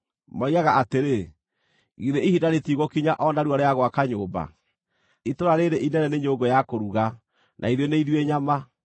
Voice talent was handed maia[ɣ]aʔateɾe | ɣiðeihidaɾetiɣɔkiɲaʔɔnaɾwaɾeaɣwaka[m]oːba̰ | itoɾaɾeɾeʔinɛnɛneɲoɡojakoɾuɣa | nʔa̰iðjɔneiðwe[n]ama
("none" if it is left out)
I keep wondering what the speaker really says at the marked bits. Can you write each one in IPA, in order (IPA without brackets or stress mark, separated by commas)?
ɣ, ɲ, ɲ